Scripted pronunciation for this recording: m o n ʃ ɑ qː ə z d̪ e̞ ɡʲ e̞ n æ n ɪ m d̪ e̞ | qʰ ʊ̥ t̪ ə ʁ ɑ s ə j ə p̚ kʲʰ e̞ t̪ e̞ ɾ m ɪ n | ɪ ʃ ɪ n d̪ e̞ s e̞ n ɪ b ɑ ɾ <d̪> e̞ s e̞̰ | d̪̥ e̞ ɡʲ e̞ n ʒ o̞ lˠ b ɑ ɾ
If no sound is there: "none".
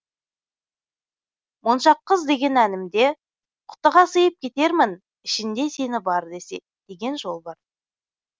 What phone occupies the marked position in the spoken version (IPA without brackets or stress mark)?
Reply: d̪